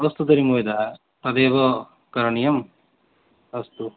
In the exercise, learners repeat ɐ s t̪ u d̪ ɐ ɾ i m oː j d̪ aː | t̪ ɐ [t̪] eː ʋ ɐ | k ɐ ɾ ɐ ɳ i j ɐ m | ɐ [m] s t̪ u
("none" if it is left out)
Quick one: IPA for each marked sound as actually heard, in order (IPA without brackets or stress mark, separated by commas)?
d̪, none